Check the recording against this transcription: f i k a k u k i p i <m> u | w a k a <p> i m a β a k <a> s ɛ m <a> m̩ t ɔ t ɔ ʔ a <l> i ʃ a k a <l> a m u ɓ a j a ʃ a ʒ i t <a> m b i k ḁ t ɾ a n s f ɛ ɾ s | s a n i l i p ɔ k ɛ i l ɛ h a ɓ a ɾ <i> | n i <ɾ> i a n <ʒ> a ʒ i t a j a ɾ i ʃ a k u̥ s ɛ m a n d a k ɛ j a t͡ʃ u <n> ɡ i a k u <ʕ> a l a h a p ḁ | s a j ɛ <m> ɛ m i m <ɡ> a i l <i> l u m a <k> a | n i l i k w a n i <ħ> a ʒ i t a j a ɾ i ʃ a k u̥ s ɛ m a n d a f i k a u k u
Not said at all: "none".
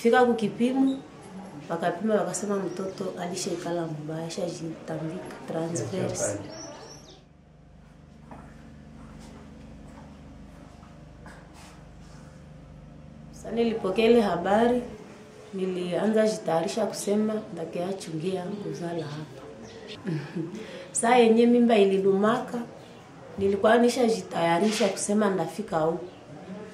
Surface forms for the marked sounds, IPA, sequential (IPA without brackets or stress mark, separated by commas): m, p, a, a, l, l, a, i, l, z, ŋ, z, ɲ, b, i, k, ʃ